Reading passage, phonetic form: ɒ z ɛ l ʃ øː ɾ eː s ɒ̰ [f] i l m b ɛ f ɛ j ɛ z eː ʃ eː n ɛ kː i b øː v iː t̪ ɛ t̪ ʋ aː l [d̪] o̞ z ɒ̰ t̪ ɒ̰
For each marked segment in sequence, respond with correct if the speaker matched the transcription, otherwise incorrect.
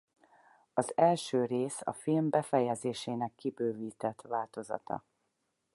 correct, incorrect: t̪

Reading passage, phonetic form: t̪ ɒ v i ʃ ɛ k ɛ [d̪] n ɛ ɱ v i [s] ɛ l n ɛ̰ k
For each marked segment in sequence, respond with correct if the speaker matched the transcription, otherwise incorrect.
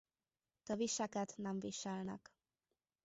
incorrect: t̪, incorrect: ʃ

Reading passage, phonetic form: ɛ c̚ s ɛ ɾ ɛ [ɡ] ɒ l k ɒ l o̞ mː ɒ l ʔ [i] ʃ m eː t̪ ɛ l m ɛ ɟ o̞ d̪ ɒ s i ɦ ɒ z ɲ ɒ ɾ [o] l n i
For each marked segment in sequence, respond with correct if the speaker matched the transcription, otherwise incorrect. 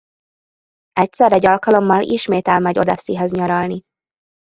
incorrect: ɟ, correct, incorrect: ɒ

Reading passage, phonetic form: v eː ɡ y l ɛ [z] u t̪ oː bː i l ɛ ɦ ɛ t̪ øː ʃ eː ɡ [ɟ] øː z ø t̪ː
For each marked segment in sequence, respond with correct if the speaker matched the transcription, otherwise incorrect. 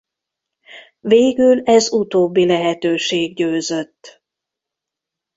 correct, correct

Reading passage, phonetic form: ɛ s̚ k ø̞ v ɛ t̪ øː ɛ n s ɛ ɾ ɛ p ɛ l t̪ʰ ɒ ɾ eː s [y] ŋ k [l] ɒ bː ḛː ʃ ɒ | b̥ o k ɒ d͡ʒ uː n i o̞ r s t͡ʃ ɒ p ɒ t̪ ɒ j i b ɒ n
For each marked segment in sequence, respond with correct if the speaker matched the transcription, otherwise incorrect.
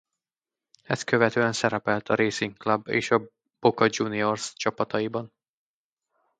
incorrect: i, correct

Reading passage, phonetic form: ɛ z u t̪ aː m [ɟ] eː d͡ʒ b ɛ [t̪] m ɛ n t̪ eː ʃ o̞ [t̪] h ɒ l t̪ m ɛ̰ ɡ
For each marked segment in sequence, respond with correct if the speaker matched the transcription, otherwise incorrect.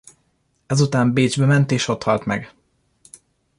incorrect: b, incorrect: none, correct

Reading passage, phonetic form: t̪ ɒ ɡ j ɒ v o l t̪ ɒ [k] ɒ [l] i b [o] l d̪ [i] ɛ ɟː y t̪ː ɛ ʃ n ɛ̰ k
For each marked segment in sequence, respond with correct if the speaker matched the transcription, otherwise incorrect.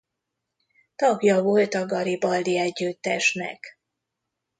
incorrect: ɡ, incorrect: ɾ, incorrect: ɒ, correct

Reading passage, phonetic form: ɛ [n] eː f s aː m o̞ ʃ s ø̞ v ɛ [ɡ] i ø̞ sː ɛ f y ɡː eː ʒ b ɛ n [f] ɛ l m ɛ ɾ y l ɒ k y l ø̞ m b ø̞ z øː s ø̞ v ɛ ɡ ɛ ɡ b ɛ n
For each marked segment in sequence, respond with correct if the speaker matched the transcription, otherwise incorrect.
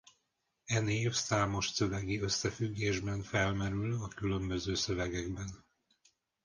correct, correct, correct

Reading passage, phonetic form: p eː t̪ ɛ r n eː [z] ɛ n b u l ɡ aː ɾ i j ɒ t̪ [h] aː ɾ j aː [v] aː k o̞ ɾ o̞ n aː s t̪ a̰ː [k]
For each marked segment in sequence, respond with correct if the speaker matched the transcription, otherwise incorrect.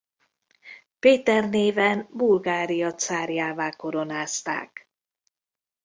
incorrect: v, incorrect: s, correct, correct

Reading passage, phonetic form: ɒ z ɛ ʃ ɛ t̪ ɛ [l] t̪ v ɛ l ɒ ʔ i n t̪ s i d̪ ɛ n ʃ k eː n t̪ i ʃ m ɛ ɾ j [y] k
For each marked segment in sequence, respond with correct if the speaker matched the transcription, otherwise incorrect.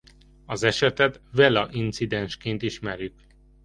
incorrect: none, correct

